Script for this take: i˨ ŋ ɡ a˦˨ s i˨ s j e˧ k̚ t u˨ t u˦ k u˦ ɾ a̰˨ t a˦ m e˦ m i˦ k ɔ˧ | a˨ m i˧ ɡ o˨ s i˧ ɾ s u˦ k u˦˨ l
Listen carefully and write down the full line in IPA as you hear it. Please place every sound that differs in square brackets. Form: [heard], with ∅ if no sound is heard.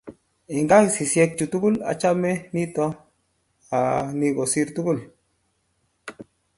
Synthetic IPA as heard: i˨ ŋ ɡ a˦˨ s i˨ s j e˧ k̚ [t͡ʃ] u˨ t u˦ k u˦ [l] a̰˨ [t͡ʃ] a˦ m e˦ [n] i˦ [t] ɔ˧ | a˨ [n] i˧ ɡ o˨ s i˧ ɾ [t] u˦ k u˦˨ l

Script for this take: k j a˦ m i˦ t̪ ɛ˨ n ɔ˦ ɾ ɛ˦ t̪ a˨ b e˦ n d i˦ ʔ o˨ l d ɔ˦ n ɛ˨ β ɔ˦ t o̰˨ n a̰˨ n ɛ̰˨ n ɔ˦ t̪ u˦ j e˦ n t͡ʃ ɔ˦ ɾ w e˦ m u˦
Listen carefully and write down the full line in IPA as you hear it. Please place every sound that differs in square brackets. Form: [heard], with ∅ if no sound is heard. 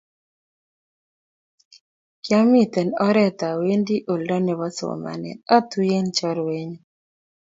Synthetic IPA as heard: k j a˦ m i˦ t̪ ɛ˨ n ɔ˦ ɾ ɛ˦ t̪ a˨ [w] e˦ n d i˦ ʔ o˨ l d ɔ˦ n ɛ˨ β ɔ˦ [s] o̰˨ [m] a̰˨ n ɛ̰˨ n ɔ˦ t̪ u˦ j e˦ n t͡ʃ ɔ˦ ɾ w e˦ [ɲ] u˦

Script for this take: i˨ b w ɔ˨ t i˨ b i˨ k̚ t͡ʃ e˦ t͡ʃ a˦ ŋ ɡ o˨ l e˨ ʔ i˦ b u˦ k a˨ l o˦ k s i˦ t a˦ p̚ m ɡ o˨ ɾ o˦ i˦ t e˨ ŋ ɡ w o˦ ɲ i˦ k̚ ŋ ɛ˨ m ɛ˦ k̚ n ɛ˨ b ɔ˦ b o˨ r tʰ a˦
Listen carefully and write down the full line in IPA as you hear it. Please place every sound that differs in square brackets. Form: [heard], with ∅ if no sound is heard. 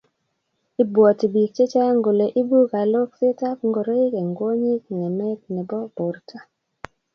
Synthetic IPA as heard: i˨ b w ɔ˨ t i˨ b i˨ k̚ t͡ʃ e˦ t͡ʃ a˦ ŋ ɡ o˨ l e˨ ʔ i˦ b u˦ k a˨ l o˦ k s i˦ t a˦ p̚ [ŋ] ɡ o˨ ɾ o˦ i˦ [k] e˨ ŋ ɡ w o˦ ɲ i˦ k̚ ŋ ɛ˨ m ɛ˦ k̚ n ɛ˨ b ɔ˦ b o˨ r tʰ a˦

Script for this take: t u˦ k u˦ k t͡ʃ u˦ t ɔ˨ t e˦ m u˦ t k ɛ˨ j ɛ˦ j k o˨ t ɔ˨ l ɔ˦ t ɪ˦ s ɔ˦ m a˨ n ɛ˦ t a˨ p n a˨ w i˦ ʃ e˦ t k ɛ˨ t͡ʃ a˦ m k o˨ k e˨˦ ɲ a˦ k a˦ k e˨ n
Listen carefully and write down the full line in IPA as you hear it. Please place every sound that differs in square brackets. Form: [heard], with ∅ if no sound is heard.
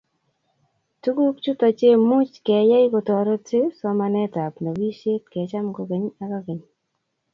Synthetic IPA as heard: t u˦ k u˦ k t͡ʃ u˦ t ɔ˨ [t͡ʃ] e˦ m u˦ [t͡ʃ] k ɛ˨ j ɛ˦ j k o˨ t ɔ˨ [ɾ] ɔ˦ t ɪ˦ s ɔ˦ m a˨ n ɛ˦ t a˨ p n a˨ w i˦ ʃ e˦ t k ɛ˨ t͡ʃ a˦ m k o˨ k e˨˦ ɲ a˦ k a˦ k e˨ [ɲ]

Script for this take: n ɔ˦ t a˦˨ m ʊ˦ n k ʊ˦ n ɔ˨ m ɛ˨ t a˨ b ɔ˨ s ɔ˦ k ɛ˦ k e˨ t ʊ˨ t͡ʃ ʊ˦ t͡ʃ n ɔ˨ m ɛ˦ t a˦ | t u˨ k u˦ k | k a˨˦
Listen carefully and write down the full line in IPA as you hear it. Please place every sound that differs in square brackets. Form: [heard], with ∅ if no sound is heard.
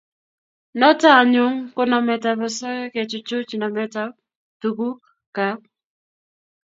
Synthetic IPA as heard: n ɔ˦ t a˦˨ [ɲ] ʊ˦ [ŋ] k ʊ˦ n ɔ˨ m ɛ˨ t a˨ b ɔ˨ s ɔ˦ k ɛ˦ k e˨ [t͡ʃ] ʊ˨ t͡ʃ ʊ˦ t͡ʃ n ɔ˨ m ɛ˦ t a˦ | t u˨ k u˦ k | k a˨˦

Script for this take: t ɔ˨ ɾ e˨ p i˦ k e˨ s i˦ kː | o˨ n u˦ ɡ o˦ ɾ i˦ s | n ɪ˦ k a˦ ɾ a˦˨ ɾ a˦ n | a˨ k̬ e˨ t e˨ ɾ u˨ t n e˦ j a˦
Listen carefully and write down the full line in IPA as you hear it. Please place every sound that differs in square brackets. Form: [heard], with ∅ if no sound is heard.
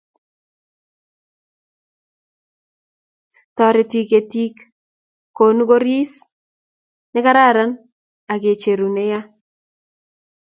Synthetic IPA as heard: t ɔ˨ ɾ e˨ [t] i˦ k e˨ [t] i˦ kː | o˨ n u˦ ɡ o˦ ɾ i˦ s | n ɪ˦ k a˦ ɾ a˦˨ ɾ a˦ n | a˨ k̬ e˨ [t͡ʃ] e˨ ɾ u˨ [∅] n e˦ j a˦

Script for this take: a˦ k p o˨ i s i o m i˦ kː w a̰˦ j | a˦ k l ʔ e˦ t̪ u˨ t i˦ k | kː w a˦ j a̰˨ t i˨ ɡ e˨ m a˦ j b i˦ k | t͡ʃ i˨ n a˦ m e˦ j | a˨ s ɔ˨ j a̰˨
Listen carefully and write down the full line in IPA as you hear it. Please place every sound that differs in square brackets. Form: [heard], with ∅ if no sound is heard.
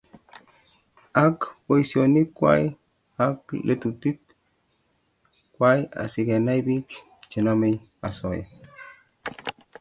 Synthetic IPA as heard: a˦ k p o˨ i s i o [n] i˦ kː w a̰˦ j | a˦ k l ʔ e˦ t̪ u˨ t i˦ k | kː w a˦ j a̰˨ [s] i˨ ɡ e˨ [n] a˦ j b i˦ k | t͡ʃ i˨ n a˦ m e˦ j | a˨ s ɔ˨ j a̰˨

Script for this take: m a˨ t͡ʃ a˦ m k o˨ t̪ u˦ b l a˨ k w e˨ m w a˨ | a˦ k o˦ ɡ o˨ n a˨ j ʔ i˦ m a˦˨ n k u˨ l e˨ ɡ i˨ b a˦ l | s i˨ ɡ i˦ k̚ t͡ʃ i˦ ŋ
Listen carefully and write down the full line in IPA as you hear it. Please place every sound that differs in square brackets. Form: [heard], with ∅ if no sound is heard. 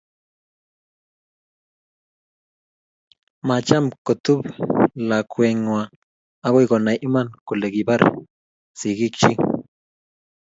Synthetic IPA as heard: m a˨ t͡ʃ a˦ m k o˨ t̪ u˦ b l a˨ k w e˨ [ŋ] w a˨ | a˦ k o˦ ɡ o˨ n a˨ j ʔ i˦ m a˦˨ n k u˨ l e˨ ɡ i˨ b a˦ [ɾ] | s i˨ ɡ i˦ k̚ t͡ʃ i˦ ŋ

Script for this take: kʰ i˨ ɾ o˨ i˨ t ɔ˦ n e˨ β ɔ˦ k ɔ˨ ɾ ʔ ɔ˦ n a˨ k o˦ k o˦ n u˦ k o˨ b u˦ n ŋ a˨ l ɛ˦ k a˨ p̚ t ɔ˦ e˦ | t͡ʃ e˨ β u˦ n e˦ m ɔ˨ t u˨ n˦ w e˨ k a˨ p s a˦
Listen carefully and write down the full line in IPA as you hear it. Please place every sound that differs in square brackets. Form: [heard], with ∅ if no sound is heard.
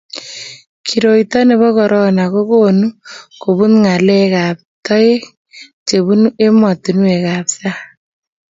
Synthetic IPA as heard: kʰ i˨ ɾ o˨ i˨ t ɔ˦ n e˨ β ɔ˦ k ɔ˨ ɾ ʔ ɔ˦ n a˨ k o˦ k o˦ n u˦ k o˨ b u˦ n ŋ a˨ l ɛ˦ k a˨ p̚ t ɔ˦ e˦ | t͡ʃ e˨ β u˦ n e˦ m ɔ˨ t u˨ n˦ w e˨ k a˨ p s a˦

